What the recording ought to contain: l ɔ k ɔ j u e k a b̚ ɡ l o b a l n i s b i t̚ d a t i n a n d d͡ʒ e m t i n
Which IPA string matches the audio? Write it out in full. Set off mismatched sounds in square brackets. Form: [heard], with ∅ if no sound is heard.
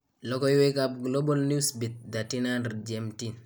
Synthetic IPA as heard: l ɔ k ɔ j [w] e k a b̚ ɡ l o b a l n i s b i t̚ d a t i n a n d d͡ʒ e m t i n